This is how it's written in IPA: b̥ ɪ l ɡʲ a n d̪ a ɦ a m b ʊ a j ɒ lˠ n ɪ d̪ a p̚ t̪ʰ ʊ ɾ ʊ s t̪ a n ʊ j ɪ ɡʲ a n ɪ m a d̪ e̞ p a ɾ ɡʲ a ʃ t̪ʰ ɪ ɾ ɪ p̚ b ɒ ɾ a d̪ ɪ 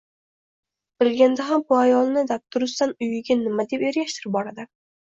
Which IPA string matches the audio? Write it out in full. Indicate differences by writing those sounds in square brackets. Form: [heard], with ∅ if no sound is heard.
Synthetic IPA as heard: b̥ ɪ l ɡʲ a n d̪ a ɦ a m b ʊ a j ɒ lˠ n ɪ d̪ a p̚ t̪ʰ ʊ ɾ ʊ s t̪ a n ʊ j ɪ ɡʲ a n ɪ m a d̪ e̞ p [e] ɾ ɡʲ a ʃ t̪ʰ ɪ ɾ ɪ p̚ b ɒ ɾ a d̪ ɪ